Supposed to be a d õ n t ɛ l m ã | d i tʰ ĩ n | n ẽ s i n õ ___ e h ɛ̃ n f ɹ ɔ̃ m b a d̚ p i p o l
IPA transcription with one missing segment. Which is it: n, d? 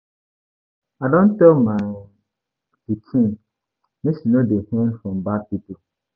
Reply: d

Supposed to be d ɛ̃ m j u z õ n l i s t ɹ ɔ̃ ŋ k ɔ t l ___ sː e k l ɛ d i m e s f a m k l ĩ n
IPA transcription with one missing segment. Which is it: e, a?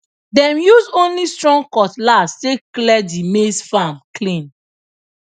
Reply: a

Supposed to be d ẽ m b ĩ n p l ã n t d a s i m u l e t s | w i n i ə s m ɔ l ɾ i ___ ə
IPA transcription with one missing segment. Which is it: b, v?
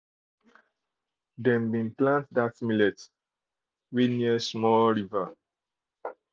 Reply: v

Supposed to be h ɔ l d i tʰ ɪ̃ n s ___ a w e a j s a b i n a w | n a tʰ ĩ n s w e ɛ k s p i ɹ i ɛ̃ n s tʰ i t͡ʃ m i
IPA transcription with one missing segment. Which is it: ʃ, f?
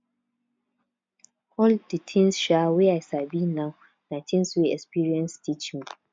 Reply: ʃ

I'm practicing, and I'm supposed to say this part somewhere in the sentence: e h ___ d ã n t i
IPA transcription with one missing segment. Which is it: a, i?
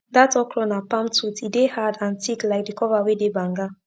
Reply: a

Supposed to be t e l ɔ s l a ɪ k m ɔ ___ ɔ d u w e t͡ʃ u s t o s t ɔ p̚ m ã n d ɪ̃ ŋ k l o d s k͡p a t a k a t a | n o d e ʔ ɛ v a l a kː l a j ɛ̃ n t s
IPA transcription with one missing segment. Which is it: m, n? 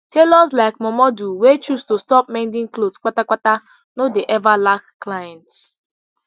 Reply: m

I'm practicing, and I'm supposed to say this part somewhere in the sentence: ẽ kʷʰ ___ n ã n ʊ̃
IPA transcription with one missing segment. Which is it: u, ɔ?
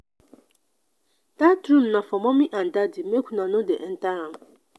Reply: u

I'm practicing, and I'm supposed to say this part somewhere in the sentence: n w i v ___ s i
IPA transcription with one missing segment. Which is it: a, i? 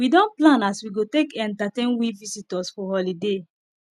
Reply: i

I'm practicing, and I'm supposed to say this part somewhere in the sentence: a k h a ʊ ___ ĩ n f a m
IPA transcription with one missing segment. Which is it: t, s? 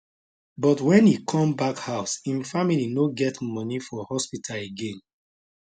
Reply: s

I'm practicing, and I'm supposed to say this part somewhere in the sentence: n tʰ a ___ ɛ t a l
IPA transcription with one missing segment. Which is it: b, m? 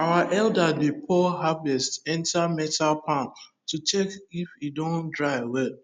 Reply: m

